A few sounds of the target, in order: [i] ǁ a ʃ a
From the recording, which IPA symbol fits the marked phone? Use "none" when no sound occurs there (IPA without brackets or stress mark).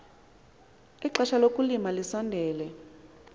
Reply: i